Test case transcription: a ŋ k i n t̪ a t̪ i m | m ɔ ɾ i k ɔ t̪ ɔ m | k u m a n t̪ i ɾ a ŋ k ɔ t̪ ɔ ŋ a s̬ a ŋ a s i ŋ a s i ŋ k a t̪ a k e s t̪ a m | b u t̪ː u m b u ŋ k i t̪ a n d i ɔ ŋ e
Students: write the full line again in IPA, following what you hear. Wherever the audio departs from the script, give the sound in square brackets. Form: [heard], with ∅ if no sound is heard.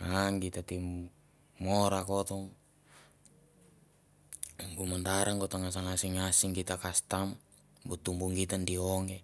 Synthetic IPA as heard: a ŋ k i [∅] t̪ a t̪ i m | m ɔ ɾ [a] k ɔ t̪ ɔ [ŋ] | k u m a n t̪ [a] ɾ a ŋ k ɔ t̪ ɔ ŋ a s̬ a ŋ a s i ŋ a s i ŋ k [i] t̪ a k [a] s t̪ a m | b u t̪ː u m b u ŋ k i t̪ a n d i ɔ ŋ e